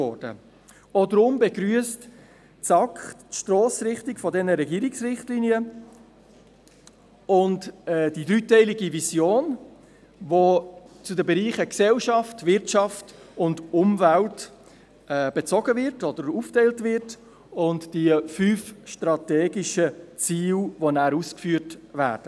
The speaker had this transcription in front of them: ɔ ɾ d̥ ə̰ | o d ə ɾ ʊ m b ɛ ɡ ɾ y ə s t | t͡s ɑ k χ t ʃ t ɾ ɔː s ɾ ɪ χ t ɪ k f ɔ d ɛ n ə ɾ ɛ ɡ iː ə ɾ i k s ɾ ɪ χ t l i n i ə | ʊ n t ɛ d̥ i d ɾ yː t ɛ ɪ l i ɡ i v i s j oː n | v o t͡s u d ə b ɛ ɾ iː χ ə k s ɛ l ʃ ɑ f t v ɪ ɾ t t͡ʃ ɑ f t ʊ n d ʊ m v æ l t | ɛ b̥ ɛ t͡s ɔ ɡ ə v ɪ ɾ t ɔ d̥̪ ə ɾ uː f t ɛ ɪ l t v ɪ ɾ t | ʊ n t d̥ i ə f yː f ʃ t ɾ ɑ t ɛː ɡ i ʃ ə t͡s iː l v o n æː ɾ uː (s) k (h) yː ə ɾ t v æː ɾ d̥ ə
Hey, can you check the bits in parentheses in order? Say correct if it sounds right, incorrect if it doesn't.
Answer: correct, incorrect: f

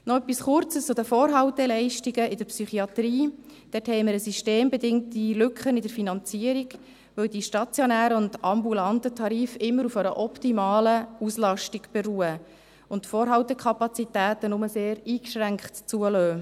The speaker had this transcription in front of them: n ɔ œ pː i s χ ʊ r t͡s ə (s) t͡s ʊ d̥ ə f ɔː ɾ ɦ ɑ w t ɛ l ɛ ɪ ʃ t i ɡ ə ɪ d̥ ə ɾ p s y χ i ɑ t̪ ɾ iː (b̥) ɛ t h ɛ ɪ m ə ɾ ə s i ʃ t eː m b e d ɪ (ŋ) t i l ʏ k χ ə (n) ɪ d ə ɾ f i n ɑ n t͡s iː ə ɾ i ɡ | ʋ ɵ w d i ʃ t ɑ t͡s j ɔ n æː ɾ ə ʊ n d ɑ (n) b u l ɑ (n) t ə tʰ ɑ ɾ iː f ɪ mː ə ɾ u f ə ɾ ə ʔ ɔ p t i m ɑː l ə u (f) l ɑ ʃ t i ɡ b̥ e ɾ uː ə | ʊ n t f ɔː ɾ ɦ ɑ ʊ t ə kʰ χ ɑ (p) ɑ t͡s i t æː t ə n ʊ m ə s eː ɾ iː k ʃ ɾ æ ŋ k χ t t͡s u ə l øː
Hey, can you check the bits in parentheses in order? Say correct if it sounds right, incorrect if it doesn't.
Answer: correct, incorrect: d̥, correct, correct, incorrect: m, correct, incorrect: s, correct

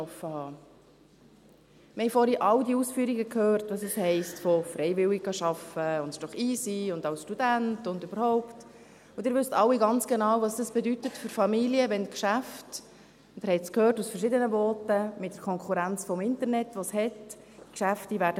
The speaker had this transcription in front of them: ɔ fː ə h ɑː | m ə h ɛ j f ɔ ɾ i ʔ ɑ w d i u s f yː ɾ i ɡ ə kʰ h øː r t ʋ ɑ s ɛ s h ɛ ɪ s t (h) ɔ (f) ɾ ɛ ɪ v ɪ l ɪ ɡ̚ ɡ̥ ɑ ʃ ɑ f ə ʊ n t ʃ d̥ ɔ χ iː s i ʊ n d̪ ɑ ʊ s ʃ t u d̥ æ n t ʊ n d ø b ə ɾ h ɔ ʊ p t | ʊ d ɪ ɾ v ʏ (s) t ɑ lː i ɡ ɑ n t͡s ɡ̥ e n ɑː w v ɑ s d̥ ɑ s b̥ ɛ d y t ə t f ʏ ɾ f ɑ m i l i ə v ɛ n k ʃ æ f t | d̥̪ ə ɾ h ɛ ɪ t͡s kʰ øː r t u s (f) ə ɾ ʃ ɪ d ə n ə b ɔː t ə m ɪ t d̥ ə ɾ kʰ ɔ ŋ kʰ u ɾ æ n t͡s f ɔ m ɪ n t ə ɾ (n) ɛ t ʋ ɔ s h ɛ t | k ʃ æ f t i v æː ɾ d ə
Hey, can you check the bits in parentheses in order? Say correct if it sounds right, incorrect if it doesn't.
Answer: incorrect: f, correct, correct, correct, correct

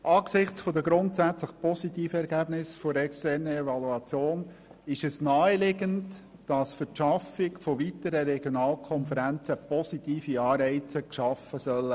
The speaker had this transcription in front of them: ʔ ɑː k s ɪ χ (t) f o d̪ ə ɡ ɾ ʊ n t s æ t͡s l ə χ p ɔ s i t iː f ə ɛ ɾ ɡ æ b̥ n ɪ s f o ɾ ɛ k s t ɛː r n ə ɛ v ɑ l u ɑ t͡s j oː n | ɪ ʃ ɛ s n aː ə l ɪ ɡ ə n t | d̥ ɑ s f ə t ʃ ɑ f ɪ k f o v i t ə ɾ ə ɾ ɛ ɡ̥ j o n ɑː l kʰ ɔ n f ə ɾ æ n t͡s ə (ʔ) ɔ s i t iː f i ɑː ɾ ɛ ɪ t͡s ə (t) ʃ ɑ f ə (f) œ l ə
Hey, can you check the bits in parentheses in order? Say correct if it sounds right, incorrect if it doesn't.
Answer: incorrect: t͡s, incorrect: p, incorrect: k, incorrect: s

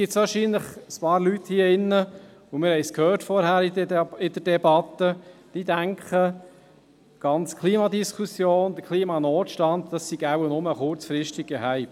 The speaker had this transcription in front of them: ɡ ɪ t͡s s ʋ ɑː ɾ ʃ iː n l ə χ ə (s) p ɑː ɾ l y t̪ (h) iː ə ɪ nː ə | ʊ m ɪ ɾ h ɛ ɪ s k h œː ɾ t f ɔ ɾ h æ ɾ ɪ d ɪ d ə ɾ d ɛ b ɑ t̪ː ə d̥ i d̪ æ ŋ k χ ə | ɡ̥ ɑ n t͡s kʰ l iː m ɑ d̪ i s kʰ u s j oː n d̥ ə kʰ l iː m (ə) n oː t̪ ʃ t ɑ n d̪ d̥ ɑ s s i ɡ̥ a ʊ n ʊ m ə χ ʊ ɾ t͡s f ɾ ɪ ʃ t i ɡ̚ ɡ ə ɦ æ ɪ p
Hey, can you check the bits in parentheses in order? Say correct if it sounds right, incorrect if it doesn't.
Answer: correct, correct, incorrect: ɑ

